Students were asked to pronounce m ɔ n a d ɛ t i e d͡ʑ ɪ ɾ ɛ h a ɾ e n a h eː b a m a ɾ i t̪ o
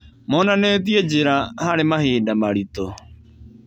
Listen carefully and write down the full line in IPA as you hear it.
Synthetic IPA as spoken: m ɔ n a n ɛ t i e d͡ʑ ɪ ɾ a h a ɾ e m a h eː d a m a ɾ i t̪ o

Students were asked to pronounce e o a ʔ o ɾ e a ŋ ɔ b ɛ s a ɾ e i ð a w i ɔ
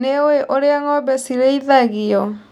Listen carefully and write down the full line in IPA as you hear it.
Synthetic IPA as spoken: e o e ʔ o ɾ e a ŋ ɔ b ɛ s i ɾ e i ð a ɣ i ɔ

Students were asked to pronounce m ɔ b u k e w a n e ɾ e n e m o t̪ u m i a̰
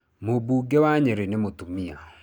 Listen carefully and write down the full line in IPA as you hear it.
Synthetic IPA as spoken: m o b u ɡ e w a ɲ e ɾ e n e m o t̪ u m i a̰

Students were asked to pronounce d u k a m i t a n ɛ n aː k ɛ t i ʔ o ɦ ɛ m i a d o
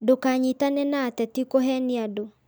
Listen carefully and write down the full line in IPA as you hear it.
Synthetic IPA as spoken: d o k a ɲ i t a n ɛ n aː t ɛ t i k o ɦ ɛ n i a d o

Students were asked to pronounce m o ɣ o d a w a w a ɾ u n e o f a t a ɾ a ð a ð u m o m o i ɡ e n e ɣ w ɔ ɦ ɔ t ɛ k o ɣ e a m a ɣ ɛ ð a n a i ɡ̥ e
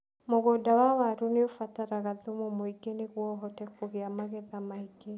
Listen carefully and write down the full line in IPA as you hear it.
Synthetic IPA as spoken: m o ɣ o d a w a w a ɾ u n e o f a t a ɾ a ɣ a ð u m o m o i ɡ e n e ɣ w ɔ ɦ ɔ t ɛ k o ɣ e a m a ɣ ɛ ð a m a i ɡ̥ e

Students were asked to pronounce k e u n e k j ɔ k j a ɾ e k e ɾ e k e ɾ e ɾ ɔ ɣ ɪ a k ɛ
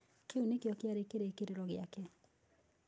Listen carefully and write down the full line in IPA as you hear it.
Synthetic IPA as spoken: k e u n e k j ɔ k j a ɾ e k e ɾ e k e ɾ e ɾ ɔ ɣ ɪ a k ɛ

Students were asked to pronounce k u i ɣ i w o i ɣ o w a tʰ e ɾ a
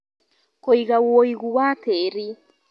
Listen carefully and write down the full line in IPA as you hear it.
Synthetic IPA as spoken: k o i ɣ a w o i ɣ u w a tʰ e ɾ i

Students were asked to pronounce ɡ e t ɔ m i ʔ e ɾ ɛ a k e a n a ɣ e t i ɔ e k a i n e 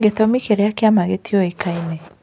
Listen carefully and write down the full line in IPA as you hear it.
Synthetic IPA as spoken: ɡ e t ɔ m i k e ɾ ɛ a k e a m a ɣ e t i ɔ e k a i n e

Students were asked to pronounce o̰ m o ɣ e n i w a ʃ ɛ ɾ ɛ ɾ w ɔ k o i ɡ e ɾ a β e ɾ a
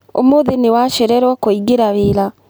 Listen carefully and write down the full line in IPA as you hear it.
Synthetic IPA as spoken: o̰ m o ð e n e w a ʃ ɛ ɾ ɛ ɾ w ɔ k o i ɡ e ɾ a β e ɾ a

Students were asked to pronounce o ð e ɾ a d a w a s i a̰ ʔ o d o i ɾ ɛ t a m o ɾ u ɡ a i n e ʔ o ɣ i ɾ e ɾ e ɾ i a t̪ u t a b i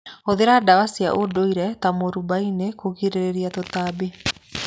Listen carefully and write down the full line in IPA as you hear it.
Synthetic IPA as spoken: o ð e ɾ a d a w a s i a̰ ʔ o d o i ɾ ɛ t a m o ɾ u b a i n e k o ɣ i ɾ e ɾ e ɾ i a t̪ o t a b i

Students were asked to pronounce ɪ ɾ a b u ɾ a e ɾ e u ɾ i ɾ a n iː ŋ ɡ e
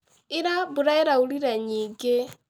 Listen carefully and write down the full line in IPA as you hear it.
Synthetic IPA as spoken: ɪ ɾ a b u ɾ a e ɾ a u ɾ i ɾ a ɲ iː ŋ ɡ e

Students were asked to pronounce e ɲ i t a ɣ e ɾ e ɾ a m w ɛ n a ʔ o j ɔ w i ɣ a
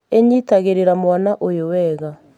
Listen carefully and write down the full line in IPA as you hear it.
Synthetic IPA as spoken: e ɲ i t a ɣ e ɾ e ɾ a m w a n a ʔ o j o w ɛ ɣ a

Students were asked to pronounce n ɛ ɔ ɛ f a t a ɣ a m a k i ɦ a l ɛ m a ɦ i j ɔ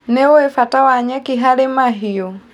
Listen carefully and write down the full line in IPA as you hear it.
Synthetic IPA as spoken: n ɛ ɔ ɛ f a t a w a ɲ a k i ɦ a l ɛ m a ɦ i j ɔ

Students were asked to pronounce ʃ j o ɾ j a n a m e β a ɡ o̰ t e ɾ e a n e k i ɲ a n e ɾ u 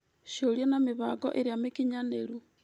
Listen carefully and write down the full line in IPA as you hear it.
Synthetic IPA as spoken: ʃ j o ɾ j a n a m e β a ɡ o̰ ʔ e ɾ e a m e k i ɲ a n e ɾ u

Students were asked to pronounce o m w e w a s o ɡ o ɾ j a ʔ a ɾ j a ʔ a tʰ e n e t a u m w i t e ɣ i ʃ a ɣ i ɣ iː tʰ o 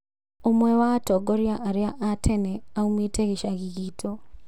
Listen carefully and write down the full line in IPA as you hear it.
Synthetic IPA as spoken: o m w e w a t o ɡ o ɾ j a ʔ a ɾ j a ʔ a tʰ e n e a u m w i t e ɣ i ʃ a ɣ i ɣ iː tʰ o

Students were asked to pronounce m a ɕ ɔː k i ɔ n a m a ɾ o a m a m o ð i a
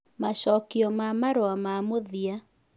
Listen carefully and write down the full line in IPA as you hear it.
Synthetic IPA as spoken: m a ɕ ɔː k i ɔ m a m a ɾ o a m a m o ð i a

